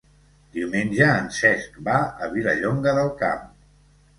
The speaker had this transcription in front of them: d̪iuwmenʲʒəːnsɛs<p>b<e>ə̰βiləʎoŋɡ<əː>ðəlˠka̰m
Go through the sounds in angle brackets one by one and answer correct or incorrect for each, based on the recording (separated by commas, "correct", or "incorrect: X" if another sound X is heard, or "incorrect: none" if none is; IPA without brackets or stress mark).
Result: incorrect: k, incorrect: a, incorrect: ə